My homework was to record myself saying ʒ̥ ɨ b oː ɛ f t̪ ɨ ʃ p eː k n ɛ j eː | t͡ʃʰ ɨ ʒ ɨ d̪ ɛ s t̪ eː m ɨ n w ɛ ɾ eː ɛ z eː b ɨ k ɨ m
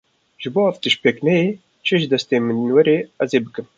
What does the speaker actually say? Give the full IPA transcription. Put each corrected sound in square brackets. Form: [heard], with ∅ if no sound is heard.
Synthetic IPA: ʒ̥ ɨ b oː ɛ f t̪ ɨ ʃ p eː k n ɛ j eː | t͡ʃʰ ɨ ʒ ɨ d̪ ɛ s t̪ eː m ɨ n w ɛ ɾ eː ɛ z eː b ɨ k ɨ m